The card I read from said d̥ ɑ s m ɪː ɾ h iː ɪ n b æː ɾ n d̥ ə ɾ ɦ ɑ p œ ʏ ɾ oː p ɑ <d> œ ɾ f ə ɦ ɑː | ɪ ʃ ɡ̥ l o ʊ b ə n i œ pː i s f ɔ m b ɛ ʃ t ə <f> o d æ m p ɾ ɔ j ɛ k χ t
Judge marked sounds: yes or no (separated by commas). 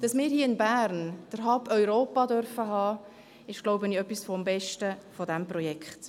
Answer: yes, yes